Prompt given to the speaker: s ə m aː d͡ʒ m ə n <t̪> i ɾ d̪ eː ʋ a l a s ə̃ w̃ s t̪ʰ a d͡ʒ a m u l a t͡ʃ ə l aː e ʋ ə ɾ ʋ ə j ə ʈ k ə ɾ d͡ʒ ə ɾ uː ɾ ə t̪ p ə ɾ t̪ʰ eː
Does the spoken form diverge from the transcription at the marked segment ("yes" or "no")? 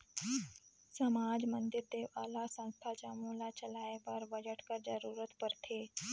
yes